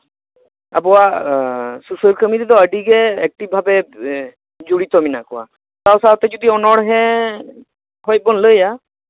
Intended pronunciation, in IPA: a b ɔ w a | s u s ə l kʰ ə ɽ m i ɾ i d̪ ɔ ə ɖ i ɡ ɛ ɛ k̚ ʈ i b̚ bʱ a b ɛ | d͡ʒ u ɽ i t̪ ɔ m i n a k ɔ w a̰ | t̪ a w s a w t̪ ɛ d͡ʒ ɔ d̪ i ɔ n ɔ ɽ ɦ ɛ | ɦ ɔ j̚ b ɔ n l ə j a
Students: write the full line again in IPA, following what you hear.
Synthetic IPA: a b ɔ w a | s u s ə l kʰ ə m i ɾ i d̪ ɔ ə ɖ i ɡ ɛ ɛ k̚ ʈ i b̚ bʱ a b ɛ | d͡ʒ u ɽ i t̪ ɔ m i n a k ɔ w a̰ | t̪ a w s a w t̪ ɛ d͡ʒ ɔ d̪ i ɔ n ɔ ɽ ɦ ɛ | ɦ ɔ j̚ b ɔ n l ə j a